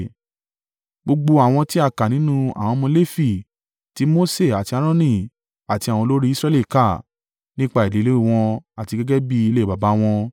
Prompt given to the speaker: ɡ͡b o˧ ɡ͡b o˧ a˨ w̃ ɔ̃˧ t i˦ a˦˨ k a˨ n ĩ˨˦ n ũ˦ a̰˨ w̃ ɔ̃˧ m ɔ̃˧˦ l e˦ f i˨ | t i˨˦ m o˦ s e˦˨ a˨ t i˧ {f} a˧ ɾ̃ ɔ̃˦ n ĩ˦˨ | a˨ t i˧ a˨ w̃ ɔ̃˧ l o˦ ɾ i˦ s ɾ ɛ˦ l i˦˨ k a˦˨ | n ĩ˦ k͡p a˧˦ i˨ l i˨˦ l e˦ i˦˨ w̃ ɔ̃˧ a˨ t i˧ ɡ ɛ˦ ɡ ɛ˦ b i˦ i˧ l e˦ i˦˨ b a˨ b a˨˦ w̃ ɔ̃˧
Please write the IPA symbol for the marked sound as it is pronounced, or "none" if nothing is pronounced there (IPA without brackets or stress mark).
none